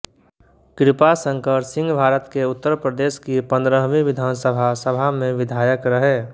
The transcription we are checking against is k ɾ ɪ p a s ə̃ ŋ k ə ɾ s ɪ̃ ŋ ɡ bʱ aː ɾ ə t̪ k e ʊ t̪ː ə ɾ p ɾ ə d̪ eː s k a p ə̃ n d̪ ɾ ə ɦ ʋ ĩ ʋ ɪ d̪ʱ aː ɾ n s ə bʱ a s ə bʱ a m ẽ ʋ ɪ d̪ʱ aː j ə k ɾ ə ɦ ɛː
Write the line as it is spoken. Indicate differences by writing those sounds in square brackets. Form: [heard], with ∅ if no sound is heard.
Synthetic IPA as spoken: k ɾ ɪ p a s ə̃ ŋ k ə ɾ s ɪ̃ ŋ ɡ bʱ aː ɾ ə t̪ k e ʊ t̪ː ə ɾ p ɾ ə d̪ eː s k [i] p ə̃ n d̪ ɾ ə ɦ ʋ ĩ ʋ ɪ d̪ʱ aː [∅] n s ə bʱ a s ə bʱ a m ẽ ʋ ɪ d̪ʱ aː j ə k ɾ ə ɦ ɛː